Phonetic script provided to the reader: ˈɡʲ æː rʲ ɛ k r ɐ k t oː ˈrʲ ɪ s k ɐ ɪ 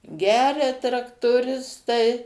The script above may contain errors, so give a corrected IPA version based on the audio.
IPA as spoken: ˈɡʲ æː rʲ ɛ t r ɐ k t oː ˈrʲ ɪ s t ɐ ɪ